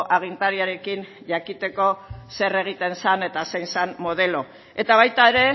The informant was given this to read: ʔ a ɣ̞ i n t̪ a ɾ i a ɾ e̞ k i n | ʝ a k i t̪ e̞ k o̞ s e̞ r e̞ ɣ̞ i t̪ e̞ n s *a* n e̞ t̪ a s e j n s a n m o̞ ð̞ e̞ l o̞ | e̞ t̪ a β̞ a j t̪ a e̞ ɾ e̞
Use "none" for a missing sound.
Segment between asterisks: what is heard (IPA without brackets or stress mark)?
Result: a